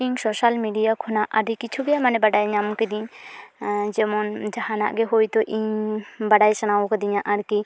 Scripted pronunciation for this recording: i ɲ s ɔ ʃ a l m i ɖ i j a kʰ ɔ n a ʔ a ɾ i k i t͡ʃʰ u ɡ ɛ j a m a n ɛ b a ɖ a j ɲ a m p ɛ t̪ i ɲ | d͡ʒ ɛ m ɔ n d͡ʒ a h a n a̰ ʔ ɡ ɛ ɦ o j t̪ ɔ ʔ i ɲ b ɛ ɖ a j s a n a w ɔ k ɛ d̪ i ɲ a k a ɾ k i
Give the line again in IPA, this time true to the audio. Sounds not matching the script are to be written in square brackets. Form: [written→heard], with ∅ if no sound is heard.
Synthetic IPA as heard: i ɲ s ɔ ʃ a l m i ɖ i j a kʰ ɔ n a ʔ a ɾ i k i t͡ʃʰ u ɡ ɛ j a m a n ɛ b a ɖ a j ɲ a m [p→k] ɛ [t̪→d̪] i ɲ | d͡ʒ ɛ m ɔ n d͡ʒ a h a n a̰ ʔ ɡ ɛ ɦ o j t̪ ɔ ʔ i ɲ b [ɛ→a] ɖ a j s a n a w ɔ k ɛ d̪ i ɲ a [k→ʔ] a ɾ k i

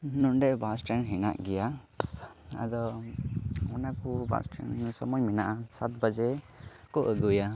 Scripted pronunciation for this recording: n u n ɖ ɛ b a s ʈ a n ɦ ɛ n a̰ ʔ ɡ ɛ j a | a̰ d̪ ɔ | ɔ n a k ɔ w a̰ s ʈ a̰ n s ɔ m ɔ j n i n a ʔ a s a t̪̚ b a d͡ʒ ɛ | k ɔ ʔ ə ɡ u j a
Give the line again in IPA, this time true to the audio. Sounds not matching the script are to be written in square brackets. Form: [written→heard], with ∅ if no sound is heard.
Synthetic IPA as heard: n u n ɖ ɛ b a s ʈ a n ɦ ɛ n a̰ ʔ ɡ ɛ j a | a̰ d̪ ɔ | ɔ n a k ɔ [w→b] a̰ s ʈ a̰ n s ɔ m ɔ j [n→m] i n a ʔ a s a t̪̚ b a d͡ʒ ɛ | k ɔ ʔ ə ɡ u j a

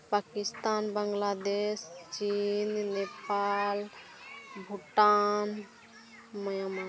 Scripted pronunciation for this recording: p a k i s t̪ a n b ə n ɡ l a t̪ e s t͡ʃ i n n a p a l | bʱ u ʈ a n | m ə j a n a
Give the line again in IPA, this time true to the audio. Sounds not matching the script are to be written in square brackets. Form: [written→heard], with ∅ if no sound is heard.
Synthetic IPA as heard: p a k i s t̪ a n b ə [n→ŋ] ɡ l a [t̪→d̪] e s t͡ʃ i n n [a→e] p a l | bʱ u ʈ a n | m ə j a [n→m] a

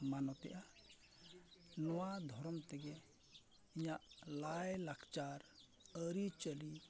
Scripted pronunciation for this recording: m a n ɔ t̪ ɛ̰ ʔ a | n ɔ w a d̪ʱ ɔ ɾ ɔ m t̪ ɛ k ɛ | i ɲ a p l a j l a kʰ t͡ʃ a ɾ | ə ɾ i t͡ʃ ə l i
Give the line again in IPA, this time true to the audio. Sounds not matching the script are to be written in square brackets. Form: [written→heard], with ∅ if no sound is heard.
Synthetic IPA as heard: m a n ɔ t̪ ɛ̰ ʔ a | n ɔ w a d̪ʱ ɔ ɾ ɔ m t̪ ɛ [k→ɡ] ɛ | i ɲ a [p→ʔ] l a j l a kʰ t͡ʃ a ɾ | ə ɾ i t͡ʃ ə l i

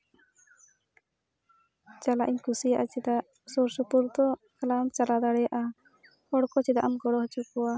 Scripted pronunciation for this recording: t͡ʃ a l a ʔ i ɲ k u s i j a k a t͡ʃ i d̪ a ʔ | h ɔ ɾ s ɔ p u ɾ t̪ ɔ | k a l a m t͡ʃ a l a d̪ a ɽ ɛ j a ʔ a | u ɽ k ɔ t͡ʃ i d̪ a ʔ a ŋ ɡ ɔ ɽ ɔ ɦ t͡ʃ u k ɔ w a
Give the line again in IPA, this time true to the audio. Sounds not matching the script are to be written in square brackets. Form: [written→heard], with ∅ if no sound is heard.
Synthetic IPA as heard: t͡ʃ a l a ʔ i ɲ k u s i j a [k→ʔ] a t͡ʃ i d̪ a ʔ | [h→s] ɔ ɾ s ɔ p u ɾ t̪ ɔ | k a l a m t͡ʃ a l a d̪ a ɽ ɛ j a ʔ a | [u→ɔ] ɽ k ɔ t͡ʃ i d̪ a ʔ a [ŋ→m] ɡ ɔ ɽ ɔ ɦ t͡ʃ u k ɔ w a

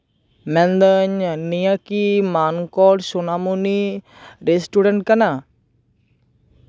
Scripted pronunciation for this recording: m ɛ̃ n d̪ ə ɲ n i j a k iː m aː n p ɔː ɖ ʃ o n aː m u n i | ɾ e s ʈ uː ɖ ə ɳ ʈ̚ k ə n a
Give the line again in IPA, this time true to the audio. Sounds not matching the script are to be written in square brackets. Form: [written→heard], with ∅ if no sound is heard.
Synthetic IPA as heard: m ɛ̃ n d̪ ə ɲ n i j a k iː m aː n [p→k] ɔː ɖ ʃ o n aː m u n i | ɾ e s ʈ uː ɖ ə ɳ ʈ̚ k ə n a

